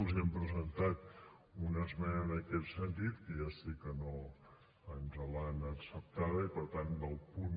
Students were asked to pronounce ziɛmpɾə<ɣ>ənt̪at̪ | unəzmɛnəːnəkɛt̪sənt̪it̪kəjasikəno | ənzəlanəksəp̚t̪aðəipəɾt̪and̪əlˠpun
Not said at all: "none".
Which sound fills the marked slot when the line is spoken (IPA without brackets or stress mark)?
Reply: z